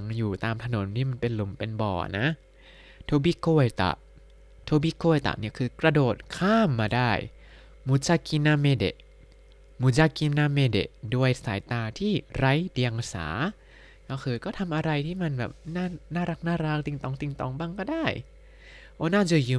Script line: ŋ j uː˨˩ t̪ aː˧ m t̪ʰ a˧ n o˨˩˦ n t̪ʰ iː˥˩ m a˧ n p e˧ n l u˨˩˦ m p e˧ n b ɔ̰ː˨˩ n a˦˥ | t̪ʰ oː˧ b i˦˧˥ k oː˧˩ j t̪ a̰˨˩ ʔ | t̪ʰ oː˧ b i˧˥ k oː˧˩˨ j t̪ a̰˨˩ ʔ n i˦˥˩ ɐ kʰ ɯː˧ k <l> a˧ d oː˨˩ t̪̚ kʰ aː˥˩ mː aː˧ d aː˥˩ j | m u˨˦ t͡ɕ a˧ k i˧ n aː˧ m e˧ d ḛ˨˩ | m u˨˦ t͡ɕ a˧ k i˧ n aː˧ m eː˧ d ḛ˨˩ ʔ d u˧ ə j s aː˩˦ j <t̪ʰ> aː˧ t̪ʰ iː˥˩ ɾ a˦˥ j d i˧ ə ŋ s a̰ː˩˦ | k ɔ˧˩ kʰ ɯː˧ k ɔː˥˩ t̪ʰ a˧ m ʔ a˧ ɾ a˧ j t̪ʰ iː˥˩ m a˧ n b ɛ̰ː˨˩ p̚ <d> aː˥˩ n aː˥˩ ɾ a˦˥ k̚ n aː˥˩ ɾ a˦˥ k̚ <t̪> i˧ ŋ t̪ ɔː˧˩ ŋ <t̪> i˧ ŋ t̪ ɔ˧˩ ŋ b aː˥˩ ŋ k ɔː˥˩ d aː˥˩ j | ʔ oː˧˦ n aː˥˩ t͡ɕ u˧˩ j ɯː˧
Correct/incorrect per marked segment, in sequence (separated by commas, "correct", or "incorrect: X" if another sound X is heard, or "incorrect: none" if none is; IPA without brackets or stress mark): incorrect: ɾ, incorrect: t̪, incorrect: n, correct, correct